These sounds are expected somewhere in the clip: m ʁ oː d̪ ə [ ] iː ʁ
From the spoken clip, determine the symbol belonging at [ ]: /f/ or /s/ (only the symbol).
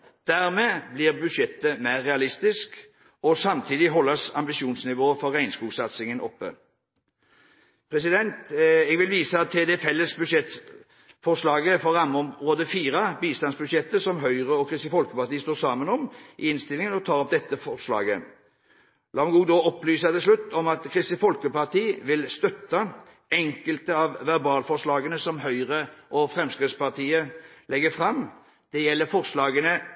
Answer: f